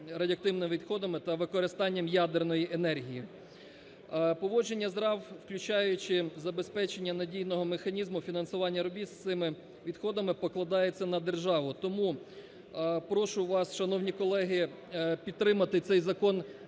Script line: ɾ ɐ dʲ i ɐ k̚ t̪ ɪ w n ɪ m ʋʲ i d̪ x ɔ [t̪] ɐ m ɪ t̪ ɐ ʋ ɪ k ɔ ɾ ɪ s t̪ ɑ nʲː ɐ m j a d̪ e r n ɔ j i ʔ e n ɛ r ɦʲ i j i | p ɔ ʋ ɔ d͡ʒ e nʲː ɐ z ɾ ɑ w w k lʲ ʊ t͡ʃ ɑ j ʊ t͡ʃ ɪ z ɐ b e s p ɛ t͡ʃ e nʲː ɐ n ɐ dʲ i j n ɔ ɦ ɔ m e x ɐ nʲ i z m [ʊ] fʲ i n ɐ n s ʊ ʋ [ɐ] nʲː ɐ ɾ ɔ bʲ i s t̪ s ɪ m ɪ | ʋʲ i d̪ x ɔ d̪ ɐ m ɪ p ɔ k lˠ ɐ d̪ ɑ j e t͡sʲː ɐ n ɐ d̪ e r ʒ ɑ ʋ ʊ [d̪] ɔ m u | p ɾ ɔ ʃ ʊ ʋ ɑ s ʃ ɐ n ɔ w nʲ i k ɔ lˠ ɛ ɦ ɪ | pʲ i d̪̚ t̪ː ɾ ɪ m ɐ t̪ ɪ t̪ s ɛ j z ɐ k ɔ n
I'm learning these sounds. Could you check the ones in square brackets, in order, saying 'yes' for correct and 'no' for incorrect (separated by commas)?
no, yes, no, no